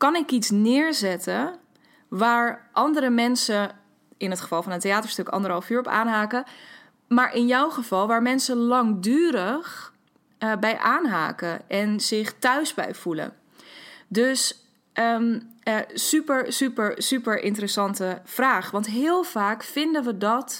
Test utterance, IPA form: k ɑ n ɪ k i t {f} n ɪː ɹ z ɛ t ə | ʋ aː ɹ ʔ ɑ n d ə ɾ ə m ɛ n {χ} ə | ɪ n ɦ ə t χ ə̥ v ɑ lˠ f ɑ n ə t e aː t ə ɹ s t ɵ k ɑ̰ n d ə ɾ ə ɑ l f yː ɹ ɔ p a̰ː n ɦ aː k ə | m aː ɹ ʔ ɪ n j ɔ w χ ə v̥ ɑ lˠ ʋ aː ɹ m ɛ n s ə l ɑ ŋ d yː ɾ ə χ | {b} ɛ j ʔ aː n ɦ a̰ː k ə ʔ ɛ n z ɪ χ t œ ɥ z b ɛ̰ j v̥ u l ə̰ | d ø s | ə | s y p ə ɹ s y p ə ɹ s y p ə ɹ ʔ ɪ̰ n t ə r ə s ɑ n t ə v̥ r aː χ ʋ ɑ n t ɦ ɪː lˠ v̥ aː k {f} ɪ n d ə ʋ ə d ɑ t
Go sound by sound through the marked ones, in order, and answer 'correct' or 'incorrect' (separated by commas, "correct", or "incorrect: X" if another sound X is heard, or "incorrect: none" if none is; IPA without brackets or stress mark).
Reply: incorrect: s, incorrect: s, correct, correct